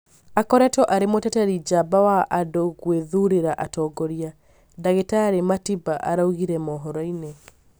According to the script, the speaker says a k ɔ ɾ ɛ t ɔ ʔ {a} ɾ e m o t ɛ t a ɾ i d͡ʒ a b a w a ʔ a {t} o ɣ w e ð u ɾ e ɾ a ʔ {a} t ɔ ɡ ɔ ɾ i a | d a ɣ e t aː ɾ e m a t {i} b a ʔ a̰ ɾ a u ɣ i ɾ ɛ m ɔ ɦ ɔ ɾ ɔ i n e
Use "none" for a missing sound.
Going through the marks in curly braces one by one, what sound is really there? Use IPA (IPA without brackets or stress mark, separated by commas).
a, d, a, i